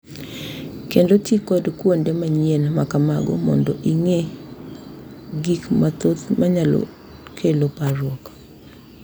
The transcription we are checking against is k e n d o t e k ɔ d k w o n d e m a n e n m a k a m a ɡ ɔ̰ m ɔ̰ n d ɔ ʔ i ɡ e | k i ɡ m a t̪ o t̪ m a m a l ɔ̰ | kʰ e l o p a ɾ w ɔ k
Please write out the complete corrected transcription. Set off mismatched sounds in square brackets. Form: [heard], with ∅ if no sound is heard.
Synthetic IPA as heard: k e n d o t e k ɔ d k w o n d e m a [ɲ] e n m a k a m a ɡ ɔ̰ m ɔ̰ n d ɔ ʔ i [ŋ] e | [ɡ] i [k] m a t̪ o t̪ m a [ɲ] a l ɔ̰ | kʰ e l o p a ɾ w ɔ k

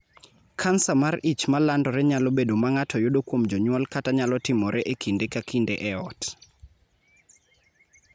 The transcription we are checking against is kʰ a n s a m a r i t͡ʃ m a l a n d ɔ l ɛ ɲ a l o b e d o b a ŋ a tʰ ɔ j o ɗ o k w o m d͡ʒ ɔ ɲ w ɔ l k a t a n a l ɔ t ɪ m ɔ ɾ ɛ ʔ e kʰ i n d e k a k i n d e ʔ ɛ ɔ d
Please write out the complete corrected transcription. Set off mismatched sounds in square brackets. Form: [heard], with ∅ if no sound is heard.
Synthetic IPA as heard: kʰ a n s a m a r i t͡ʃ m a l a n d ɔ [ɾ] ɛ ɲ a l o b e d o [m] a ŋ a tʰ ɔ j o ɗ o k w o m d͡ʒ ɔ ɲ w ɔ l k a t a [ɲ] a l ɔ t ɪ m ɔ ɾ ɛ ʔ e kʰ i n d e k a k i n d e ʔ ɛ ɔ [t]

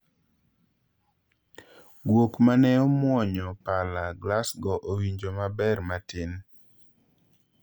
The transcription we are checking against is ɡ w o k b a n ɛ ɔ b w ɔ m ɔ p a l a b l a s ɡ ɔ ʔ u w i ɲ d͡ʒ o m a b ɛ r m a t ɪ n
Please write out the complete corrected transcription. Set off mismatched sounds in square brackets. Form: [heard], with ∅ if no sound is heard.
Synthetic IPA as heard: ɡ w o k [m] a n ɛ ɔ [m] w ɔ [ɲ] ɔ p a l a [ɡ] l a s ɡ ɔ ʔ [o] w i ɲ d͡ʒ o m a b ɛ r m a t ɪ n

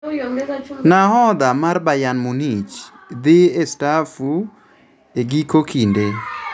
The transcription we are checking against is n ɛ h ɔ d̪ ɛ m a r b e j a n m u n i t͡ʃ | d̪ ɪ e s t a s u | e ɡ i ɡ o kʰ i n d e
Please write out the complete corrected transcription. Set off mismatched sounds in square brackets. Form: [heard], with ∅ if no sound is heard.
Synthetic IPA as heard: n [a] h ɔ d̪ [a] m a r b [a] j a n m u n i t͡ʃ | d̪ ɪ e s t a [f] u | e ɡ i [k] o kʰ i n d e

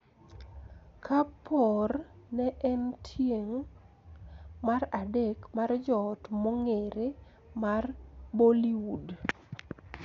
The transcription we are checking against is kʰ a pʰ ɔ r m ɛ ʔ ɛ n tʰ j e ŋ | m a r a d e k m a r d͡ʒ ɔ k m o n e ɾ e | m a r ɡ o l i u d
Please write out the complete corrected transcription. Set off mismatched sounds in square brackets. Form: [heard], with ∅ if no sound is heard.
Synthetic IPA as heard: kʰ a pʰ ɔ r [n] ɛ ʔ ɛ n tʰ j e ŋ | m a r a d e k m a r d͡ʒ ɔ [t] m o [ŋ] e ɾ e | m a r [b] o l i u d

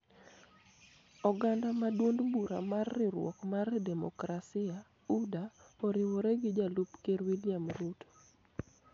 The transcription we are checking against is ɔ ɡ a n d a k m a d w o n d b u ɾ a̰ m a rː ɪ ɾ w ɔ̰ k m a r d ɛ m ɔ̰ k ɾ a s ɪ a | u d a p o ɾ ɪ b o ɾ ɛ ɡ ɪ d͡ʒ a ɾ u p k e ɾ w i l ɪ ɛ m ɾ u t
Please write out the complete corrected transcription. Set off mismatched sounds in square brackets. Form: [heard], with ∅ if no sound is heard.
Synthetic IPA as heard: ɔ ɡ a n d a [∅] m a d w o n d b u ɾ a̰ m a rː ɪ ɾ w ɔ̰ k m a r d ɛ m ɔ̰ k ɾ a s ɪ a | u d a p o ɾ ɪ [w] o ɾ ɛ ɡ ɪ d͡ʒ a [l] u p k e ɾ w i l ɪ [a] m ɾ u t

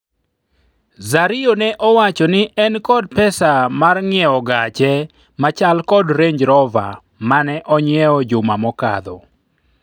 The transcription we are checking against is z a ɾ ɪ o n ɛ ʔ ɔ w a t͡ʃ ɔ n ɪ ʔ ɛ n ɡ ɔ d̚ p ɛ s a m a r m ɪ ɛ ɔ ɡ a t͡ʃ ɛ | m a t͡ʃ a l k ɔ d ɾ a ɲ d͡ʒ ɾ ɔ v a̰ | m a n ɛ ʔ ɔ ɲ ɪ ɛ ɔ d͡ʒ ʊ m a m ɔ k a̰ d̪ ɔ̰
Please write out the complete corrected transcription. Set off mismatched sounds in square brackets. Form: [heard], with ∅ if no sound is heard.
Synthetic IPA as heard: z a ɾ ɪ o n ɛ ʔ ɔ w a t͡ʃ ɔ n ɪ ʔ ɛ n [k] ɔ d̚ p ɛ s a m a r [ŋ] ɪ ɛ ɔ ɡ a t͡ʃ ɛ | m a t͡ʃ a l k ɔ d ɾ [e] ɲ d͡ʒ ɾ ɔ v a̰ | m a n ɛ ʔ ɔ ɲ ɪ ɛ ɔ d͡ʒ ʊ m a m ɔ k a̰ d̪ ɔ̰

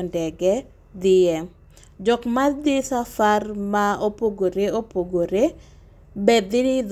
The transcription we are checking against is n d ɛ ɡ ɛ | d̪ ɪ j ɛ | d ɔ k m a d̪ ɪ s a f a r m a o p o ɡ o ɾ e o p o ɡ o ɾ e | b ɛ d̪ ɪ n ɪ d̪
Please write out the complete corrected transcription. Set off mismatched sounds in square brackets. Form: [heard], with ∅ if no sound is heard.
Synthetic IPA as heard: n d ɛ ɡ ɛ | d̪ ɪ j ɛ | [d͡ʒ] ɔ k m a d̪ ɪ s a f a r m a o p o ɡ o ɾ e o p o ɡ o ɾ e | b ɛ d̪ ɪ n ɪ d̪

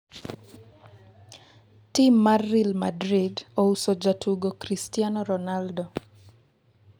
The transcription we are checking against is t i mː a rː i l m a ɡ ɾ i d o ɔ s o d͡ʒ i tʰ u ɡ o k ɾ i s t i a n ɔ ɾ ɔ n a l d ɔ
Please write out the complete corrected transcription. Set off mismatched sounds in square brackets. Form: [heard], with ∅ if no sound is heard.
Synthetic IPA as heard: t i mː a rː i l m a [d] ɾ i d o [u] s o d͡ʒ [a] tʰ u ɡ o k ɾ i s t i a n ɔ ɾ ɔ n a l d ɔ

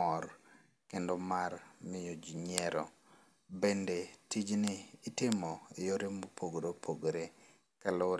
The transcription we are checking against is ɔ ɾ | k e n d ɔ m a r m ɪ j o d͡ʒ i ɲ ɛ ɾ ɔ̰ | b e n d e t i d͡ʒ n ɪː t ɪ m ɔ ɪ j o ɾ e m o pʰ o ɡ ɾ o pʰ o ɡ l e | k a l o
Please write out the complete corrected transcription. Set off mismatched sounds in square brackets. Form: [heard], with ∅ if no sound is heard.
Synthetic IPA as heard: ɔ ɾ | k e n d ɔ m a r m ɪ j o d͡ʒ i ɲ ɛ ɾ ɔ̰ | b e n d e t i d͡ʒ n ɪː t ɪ m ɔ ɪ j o ɾ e m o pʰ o ɡ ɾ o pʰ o ɡ [ɾ] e | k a l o

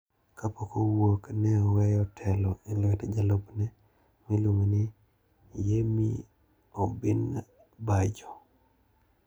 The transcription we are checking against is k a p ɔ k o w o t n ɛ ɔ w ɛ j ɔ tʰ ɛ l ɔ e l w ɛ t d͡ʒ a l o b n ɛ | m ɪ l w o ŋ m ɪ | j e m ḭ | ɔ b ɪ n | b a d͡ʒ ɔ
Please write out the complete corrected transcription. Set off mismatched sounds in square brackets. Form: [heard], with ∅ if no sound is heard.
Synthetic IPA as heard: k a p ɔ k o w o [k] n ɛ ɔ w ɛ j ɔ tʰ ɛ l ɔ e l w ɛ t d͡ʒ a l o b n ɛ | m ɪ l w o ŋ [n] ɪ | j e m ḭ | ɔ b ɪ n | b a d͡ʒ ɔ

